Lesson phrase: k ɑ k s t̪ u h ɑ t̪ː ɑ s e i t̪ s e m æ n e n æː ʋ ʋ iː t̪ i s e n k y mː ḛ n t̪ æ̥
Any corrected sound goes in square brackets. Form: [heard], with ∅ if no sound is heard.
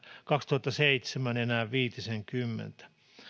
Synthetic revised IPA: k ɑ k s t̪ u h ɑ t̪ː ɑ s e i t̪ s e m æ n e n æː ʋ ʋ iː t̪ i s e [ŋ] k y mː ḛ n t̪ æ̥